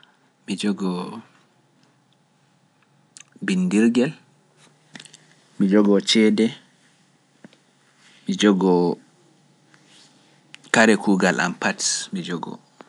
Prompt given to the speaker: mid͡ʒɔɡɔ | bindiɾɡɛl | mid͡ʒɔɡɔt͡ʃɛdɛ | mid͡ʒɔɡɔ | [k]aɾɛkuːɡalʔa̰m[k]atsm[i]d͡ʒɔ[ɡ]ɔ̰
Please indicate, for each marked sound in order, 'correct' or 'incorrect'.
correct, incorrect, correct, correct

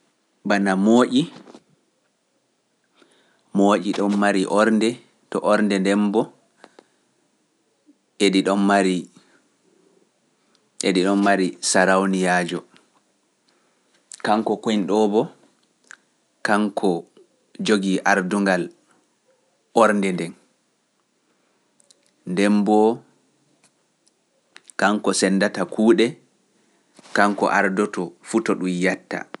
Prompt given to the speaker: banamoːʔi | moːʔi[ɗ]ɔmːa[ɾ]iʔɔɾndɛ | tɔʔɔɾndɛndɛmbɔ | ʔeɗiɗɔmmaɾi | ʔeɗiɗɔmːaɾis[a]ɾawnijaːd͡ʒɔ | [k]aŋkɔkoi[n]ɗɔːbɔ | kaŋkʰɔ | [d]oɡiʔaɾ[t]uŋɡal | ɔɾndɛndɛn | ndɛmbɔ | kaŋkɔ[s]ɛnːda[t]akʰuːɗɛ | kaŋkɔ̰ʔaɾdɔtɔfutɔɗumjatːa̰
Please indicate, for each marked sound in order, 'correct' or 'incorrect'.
correct, correct, correct, correct, correct, incorrect, incorrect, correct, correct

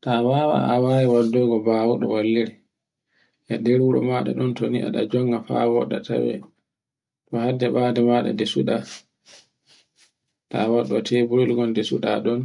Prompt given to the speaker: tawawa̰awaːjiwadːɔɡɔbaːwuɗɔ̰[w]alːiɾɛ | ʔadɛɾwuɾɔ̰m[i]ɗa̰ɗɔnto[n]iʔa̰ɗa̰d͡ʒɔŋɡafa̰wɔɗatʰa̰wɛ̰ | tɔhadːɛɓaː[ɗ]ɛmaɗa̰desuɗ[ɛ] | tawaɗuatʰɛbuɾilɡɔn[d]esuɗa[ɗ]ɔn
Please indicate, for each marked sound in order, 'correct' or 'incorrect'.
correct, incorrect, correct, incorrect, incorrect, correct, correct

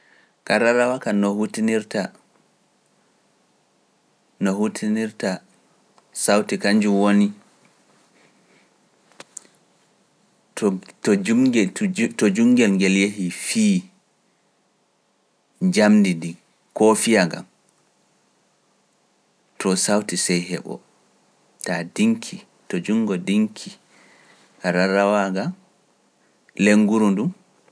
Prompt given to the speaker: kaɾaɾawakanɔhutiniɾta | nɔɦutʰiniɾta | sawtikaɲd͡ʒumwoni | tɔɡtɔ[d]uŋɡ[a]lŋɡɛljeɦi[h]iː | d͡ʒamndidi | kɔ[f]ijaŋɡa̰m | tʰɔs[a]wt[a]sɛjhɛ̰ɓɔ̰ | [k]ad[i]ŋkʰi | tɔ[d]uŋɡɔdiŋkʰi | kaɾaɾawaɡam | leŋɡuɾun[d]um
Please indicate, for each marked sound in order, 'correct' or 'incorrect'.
incorrect, incorrect, incorrect, correct, correct, incorrect, incorrect, correct, incorrect, correct

